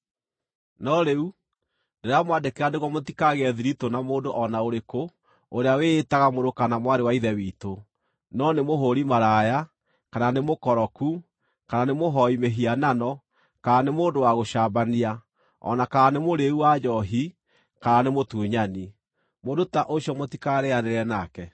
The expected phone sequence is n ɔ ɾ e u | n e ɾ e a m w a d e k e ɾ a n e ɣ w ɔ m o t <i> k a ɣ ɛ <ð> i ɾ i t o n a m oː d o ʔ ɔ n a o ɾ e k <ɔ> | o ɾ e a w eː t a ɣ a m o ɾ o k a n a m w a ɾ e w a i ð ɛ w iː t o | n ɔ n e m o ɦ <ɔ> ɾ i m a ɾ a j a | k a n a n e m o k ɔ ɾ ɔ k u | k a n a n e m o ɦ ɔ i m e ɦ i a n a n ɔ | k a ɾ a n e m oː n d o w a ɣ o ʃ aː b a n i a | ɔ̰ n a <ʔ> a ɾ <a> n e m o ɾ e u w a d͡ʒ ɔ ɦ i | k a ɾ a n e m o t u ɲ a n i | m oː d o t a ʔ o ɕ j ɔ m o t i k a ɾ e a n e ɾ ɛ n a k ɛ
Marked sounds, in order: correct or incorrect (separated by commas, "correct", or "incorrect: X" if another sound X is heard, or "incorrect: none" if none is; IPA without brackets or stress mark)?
correct, correct, incorrect: o, incorrect: o, incorrect: k, correct